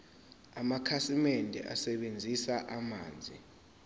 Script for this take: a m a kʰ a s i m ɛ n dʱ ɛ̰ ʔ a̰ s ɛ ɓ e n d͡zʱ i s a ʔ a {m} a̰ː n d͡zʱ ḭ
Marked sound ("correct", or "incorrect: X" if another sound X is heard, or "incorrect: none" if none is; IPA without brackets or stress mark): correct